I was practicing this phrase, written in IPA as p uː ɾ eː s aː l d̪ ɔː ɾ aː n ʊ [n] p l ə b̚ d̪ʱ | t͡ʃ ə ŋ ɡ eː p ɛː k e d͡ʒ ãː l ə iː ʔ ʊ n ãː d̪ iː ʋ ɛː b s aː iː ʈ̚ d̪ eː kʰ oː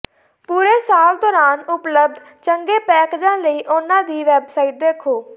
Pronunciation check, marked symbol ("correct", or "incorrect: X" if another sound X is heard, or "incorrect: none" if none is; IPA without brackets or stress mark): incorrect: none